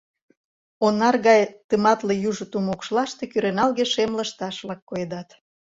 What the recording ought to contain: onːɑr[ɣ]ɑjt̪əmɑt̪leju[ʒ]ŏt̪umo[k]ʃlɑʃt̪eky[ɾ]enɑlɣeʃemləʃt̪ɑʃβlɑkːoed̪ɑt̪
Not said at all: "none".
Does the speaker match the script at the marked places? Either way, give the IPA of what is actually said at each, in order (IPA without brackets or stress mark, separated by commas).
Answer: ɣ, ʒ, k, ɾ